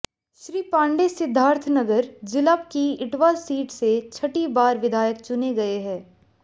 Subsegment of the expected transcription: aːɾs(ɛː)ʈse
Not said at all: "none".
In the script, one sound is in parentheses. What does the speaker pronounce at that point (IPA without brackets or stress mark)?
iː